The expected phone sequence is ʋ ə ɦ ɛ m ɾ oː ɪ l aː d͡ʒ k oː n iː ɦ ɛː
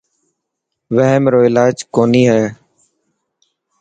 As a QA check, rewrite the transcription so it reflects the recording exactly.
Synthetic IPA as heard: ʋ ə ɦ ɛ m ɾ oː ɪ l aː d͡ʒ k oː n iː ɦ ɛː